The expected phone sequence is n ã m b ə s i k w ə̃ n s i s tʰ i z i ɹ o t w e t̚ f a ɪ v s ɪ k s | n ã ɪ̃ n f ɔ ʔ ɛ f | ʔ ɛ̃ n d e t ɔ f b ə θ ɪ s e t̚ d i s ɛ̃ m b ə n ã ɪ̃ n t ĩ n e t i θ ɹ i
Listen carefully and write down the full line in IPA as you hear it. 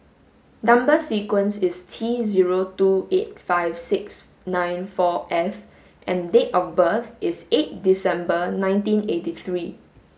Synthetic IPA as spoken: n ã m b ə s i k w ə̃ n s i s tʰ i z i ɹ o t u e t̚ f a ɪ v s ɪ k s | n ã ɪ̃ n f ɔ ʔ ɛ f | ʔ ɛ̃ n d e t ɔ f b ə θ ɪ s e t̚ d i s ɛ̃ m b ə n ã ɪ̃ n t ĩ n e t i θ ɹ i